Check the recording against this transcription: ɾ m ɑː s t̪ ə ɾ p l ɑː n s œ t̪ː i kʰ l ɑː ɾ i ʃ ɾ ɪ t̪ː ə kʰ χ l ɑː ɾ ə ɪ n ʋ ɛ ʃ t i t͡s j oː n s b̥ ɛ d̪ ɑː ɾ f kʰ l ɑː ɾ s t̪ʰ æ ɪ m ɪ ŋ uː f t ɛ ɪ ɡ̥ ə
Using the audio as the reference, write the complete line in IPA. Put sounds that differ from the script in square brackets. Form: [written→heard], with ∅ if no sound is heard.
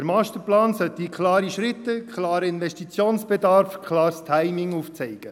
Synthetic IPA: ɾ m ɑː s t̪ ə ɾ p l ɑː n s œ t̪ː i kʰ l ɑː ɾ i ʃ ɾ ɪ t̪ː ə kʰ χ l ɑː ɾ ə ɪ n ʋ ɛ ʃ t i t͡s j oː n s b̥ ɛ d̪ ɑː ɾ f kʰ l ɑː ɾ s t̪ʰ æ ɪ m ɪ ŋ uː f [t→t͡s] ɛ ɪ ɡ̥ ə